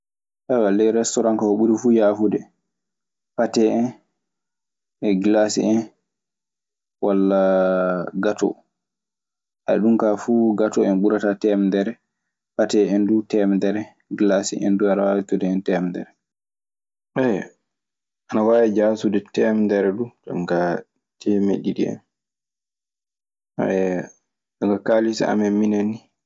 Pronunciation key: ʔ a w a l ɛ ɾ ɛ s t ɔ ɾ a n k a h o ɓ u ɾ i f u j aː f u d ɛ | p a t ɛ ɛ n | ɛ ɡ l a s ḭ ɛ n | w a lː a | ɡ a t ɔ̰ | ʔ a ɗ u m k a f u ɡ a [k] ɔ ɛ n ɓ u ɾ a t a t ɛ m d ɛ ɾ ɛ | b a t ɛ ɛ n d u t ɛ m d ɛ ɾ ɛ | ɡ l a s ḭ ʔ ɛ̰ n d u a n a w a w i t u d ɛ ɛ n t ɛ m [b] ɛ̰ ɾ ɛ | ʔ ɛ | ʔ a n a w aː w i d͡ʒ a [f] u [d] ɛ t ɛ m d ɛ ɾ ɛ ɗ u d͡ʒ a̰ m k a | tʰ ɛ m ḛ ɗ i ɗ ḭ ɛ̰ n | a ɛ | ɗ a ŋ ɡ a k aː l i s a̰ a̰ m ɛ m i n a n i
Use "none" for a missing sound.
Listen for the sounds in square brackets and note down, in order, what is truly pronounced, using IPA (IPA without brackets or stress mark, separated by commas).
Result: t, d, s, d